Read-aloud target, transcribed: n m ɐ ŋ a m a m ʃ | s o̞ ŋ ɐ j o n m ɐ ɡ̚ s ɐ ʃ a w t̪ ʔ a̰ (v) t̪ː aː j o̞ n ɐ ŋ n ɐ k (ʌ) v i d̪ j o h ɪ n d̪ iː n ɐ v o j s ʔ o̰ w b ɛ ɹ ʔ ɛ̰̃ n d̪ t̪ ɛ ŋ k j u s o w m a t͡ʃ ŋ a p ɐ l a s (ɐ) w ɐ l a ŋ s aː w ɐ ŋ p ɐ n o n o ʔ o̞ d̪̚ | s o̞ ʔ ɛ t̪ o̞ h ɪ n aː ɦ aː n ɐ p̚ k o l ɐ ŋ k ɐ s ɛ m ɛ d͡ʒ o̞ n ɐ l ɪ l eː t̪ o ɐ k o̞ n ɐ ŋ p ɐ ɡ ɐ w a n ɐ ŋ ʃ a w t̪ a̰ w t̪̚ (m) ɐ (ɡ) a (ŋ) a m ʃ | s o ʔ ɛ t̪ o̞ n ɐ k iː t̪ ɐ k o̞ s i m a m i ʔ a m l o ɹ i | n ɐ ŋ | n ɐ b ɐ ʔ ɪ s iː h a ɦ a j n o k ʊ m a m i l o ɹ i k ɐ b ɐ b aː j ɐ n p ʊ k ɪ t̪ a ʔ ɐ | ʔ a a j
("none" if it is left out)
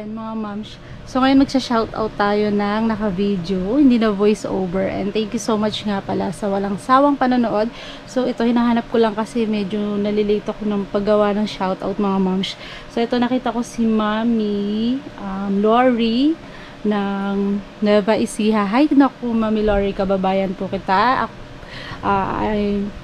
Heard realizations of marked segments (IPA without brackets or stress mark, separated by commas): w, ɐ, ɐ, m, ŋ, m